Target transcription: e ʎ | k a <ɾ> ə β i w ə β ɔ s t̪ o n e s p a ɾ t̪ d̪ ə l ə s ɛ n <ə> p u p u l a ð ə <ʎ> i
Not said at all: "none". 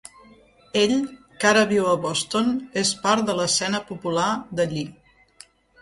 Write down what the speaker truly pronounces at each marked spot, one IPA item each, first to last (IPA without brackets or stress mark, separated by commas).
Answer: ɾ, ə, ʎ